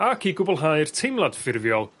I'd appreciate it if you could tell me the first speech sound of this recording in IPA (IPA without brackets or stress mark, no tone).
a